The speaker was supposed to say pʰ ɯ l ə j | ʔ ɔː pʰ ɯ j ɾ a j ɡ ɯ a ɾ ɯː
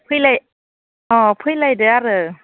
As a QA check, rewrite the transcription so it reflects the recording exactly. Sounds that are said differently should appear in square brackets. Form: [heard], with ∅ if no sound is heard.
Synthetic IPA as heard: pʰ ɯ l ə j | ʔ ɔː pʰ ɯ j [l] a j [d] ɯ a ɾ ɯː